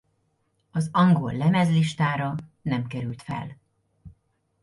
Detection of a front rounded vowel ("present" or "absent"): present